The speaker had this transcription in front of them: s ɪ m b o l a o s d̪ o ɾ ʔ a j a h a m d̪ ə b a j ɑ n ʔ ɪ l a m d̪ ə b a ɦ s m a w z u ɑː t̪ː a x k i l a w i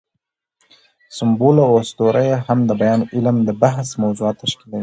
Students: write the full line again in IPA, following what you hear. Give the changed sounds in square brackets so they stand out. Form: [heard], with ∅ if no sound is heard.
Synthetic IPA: s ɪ m b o l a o s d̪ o ɾ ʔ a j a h a m d̪ ə b a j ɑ n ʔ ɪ l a m d̪ ə b a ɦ s m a w z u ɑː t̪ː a [ʃ] k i l a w i